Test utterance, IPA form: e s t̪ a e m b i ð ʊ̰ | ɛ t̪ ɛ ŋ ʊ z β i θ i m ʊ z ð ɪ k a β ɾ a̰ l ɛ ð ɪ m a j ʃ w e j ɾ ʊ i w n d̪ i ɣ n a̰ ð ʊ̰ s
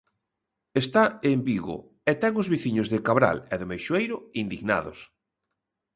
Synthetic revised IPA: e s t̪ a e m b i ɣ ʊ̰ | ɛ t̪ ɛ ŋ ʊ z β i θ i ɲ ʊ z ð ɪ k a β ɾ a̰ l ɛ ð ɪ m e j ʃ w e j ɾ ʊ i n d̪ i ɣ n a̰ ð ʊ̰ s

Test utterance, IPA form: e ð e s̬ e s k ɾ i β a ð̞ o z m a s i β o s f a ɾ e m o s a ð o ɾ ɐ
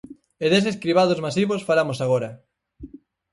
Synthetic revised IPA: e ð e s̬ e s k ɾ i β a ð̞ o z m a s i β o s f a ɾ a m o s a ɣ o ɾ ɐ

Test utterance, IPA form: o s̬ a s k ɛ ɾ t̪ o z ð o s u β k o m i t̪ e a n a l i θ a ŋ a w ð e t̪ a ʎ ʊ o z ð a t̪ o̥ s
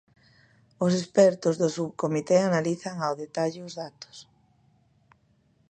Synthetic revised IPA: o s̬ e s p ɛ ɾ t̪ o z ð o s u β k o m i t̪ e a n a l i θ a ŋ a w ð e t̪ a ʎ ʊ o z ð a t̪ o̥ s

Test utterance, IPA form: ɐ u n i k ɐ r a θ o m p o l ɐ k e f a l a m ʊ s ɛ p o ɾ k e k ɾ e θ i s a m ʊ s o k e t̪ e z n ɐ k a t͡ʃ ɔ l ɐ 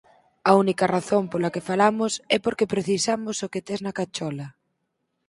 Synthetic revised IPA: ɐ u n i k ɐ r a θ o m p o l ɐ k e f a l a m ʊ s ɛ p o ɾ k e p ɾ e θ i s a m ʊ s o k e t̪ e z n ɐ k a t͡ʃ ɔ l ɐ

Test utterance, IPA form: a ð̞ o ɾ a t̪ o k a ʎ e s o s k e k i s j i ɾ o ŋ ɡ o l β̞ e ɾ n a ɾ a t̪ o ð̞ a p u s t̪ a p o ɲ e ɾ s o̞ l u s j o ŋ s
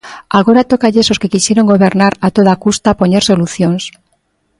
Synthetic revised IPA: a ɣ̞ o ɾ a t̪ o k a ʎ e s o s k e k i s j e ɾ o ŋ ɡ o β̞ e ɾ n a ɾ a t̪ o ð̞ a k u s t̪ a p o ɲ e ɾ s o̞ l u θ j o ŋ s

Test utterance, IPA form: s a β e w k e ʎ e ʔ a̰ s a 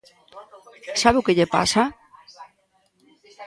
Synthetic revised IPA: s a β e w k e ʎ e p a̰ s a

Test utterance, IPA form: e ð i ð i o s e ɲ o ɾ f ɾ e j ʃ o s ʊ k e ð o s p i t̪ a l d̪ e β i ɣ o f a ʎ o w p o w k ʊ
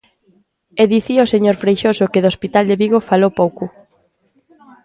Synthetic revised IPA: e ð i θ i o s e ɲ o ɾ f ɾ e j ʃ o s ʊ k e ð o s p i t̪ a l d̪ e β i ɣ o f a l o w p o w k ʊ

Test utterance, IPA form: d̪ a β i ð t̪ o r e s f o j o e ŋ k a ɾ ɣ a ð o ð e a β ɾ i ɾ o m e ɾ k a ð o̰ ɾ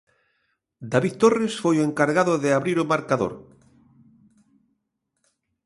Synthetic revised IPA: d̪ a β i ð t̪ o r e s f o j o e ŋ k a ɾ ɣ a ð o ð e a β ɾ i ɾ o m a ɾ k a ð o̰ ɾ

